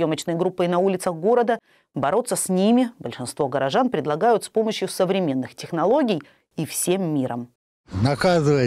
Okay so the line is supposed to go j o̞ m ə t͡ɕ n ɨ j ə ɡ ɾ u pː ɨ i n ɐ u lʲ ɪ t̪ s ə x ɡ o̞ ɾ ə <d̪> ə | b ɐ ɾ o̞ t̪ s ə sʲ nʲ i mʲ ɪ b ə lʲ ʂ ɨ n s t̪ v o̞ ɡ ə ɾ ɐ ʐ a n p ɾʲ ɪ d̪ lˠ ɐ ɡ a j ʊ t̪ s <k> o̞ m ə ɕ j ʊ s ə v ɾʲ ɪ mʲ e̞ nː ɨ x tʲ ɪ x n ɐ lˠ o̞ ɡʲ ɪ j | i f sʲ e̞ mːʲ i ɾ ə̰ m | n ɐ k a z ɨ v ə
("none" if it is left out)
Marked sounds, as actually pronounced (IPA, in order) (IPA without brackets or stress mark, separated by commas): d̪, p